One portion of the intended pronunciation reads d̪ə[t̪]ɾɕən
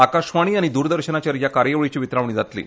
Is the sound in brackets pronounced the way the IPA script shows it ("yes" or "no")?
no